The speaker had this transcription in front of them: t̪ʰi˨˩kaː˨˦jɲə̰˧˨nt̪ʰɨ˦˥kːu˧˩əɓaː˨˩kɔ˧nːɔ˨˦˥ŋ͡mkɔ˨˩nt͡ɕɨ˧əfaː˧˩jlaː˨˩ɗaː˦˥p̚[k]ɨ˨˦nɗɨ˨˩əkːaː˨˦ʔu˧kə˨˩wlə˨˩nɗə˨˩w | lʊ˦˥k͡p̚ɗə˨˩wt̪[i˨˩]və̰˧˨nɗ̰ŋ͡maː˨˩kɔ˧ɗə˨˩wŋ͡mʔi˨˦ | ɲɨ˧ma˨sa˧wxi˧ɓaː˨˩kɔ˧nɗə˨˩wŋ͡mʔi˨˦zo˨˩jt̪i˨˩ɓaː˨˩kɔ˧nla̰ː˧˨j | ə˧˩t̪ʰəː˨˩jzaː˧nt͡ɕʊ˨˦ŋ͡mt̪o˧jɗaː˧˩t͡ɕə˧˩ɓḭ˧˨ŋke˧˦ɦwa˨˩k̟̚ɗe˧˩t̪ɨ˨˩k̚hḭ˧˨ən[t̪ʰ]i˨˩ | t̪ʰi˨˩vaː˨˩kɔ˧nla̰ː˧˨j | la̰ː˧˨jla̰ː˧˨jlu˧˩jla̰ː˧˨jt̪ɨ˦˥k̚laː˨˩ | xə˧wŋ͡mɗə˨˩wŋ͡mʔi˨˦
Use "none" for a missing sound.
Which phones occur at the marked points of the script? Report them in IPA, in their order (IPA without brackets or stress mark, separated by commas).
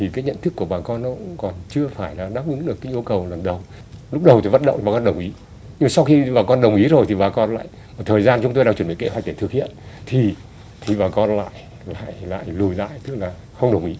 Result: ʔ, i˨˩, t̪ʰ